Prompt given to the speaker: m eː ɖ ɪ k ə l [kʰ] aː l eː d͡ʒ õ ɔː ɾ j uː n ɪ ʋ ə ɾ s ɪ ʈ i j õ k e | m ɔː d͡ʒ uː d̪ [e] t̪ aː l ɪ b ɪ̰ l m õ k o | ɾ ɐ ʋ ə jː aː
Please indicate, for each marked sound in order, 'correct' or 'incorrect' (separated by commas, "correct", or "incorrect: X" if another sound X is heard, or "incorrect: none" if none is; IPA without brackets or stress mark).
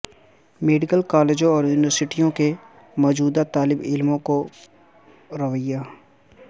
incorrect: k, incorrect: a